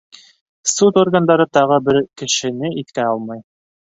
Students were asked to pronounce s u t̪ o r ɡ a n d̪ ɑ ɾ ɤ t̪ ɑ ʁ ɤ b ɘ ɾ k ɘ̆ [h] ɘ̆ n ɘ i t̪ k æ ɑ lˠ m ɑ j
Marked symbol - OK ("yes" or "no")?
no